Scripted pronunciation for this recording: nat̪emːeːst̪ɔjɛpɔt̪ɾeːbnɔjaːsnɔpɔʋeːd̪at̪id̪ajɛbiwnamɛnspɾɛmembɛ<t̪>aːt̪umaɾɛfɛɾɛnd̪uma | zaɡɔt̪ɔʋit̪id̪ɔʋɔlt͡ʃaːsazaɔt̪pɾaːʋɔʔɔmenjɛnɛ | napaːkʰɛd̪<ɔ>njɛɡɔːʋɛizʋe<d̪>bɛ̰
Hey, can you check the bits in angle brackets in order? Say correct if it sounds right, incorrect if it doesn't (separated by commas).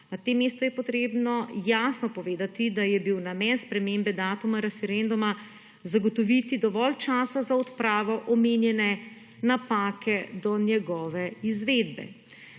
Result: incorrect, correct, correct